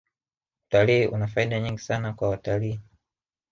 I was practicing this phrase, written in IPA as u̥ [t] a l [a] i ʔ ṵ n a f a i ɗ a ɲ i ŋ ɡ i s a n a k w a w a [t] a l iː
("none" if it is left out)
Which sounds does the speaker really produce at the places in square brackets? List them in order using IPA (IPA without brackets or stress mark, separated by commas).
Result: t, i, t